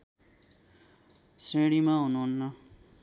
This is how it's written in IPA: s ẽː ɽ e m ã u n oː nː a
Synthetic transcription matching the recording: s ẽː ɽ i m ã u n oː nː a